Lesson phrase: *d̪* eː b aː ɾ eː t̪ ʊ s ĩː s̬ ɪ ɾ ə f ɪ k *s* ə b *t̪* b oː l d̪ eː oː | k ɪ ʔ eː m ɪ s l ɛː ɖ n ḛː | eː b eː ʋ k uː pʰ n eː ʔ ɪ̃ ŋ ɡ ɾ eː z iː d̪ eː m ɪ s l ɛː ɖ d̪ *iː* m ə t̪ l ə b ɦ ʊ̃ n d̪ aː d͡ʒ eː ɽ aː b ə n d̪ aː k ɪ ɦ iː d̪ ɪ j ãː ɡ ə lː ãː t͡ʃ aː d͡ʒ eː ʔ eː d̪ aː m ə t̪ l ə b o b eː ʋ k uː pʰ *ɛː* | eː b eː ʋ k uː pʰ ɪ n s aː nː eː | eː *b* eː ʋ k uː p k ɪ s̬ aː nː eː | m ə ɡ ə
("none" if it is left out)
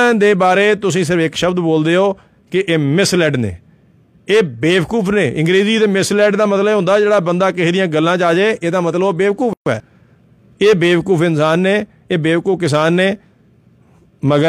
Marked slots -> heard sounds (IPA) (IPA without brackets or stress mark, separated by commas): d̪, ʃ, d̪, aː, ɛː, b